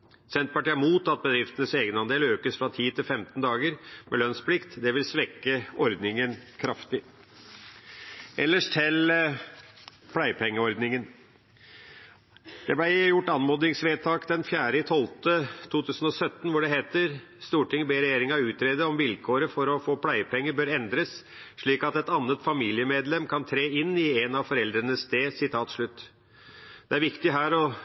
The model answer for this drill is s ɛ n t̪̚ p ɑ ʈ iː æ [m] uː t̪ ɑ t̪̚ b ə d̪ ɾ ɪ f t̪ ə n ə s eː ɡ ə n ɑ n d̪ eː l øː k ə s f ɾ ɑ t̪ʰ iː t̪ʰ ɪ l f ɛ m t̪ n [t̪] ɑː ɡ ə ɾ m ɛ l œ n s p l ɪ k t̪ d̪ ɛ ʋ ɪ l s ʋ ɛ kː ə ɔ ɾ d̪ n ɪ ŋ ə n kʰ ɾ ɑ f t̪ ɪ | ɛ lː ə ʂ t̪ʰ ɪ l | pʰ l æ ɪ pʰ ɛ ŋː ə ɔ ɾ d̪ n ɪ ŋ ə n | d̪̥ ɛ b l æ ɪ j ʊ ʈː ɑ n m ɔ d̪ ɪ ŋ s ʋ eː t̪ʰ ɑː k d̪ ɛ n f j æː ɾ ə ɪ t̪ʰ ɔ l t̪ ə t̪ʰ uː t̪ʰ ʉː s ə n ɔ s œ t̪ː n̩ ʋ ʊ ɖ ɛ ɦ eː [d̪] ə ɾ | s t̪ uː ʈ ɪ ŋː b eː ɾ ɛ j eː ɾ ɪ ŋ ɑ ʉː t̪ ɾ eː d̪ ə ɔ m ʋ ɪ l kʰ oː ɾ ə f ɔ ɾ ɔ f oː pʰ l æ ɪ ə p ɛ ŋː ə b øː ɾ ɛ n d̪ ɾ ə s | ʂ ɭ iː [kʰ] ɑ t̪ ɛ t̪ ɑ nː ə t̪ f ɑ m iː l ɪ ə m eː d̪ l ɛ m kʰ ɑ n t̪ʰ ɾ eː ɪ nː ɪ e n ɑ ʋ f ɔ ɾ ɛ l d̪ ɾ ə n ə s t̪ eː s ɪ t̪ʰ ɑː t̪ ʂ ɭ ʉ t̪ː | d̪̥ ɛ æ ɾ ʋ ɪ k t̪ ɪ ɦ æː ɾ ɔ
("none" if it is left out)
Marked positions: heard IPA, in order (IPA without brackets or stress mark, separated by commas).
m, d̪, t̪, k